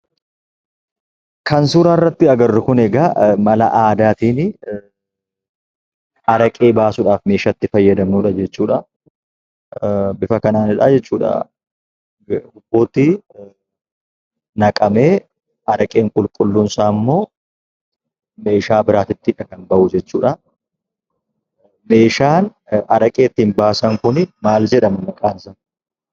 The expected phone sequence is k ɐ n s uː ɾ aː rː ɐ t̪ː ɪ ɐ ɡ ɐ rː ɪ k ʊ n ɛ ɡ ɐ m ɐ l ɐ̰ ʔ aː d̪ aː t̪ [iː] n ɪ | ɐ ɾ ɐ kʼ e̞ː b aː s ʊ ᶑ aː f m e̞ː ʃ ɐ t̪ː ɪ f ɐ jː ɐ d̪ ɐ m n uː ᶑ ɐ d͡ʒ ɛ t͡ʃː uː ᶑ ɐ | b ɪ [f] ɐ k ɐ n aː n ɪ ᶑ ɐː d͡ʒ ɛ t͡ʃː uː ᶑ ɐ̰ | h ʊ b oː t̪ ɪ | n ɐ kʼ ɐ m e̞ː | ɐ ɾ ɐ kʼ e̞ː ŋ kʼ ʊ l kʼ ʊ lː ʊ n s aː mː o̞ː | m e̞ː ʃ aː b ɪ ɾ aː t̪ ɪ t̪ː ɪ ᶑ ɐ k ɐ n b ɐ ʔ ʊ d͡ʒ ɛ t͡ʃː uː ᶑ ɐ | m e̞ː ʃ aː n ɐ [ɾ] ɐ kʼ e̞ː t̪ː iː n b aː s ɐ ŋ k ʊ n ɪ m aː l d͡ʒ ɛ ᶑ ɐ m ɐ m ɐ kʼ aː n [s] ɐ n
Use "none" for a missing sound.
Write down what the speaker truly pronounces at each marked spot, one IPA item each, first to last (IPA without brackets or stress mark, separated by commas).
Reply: iː, f, ɾ, s